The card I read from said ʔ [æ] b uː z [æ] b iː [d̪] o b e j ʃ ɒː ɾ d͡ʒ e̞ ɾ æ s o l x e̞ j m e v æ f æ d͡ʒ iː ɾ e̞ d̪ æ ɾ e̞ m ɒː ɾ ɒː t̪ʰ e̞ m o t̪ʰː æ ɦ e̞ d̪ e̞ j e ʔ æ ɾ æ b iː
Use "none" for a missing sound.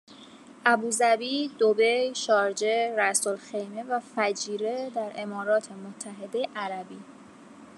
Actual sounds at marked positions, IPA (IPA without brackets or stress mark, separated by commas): æ, æ, d̪